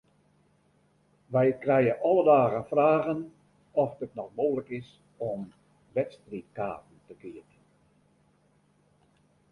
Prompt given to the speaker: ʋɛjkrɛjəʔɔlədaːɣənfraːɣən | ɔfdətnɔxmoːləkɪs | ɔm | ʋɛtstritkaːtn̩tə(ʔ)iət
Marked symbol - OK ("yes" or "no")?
no